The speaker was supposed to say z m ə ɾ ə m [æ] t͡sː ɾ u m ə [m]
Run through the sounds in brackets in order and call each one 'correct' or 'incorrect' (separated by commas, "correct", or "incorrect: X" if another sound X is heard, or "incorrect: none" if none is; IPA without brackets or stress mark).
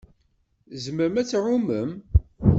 correct, correct